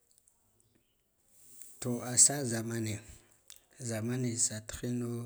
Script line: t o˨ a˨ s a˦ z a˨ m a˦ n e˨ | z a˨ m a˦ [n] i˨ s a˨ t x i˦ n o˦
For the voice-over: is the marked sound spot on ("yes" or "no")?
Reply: yes